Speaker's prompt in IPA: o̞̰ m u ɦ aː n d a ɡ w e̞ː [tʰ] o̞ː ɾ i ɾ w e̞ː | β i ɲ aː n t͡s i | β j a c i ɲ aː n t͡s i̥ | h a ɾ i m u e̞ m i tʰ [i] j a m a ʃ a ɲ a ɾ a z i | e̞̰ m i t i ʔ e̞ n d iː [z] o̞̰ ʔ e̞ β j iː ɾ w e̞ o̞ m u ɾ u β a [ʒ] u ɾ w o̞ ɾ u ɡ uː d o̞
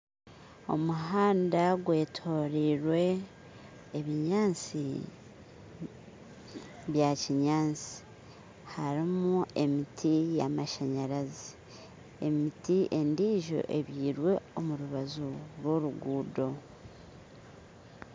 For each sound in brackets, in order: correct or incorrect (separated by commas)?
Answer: correct, correct, incorrect, incorrect